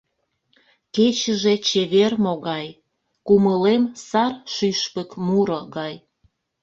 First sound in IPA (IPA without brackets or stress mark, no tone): k